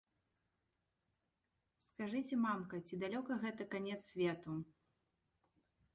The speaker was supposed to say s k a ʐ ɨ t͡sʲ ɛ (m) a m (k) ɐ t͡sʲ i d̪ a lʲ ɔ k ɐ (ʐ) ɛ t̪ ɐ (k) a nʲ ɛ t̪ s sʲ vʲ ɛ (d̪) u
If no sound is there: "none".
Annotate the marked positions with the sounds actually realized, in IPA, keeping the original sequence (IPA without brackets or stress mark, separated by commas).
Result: m, k, ɣ, k, t̪